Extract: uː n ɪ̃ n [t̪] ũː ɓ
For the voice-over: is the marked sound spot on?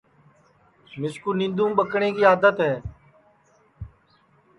no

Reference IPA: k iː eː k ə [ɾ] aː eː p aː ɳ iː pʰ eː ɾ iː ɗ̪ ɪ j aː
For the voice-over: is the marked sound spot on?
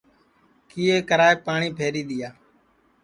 yes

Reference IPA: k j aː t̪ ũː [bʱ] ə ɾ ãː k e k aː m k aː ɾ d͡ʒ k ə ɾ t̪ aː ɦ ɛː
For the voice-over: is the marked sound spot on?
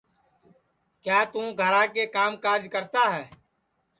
no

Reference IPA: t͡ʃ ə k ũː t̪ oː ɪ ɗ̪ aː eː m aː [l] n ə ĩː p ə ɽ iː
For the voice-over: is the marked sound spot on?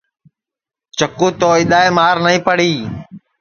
no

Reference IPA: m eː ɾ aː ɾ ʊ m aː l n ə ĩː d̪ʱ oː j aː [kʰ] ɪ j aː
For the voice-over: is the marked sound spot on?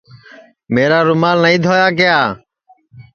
no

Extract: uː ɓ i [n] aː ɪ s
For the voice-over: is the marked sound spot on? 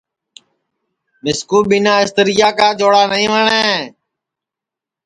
yes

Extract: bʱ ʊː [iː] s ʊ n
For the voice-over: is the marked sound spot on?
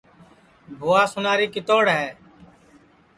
no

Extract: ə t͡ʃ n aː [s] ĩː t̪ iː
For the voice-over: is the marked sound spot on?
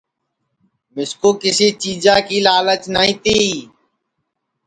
no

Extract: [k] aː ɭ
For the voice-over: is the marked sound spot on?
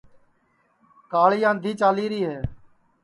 yes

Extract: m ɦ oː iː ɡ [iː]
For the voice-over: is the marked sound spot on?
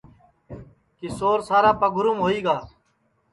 no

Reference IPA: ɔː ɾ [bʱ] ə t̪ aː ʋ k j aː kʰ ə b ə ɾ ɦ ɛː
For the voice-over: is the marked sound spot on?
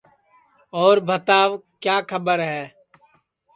yes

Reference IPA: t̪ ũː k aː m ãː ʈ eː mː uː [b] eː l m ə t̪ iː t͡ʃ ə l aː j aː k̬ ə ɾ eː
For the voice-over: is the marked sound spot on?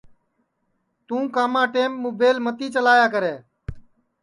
yes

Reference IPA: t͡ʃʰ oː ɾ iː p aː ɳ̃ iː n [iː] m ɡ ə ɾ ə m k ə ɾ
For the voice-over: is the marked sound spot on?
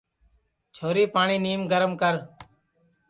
yes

